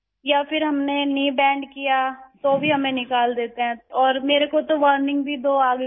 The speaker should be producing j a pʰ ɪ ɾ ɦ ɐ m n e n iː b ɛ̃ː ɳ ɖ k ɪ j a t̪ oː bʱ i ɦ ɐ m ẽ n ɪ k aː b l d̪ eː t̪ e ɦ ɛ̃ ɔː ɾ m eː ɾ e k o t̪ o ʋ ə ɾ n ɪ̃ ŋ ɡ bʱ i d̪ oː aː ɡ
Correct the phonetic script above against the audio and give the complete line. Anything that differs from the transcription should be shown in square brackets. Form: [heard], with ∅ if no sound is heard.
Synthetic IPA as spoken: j a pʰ ɪ ɾ ɦ ɐ m n e n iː b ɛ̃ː ɳ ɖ k [i] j a t̪ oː bʱ i ɦ ɐ m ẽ n ɪ k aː [∅] l d̪ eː t̪ e ɦ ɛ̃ ɔː ɾ m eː ɾ e k o t̪ o ʋ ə ɾ n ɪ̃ ŋ ɡ bʱ i d̪ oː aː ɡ